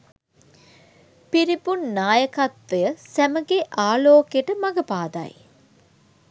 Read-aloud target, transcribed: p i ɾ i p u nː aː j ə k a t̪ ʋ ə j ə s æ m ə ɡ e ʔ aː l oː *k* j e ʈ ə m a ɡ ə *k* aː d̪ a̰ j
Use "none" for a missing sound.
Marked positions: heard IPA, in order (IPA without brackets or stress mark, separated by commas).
k, p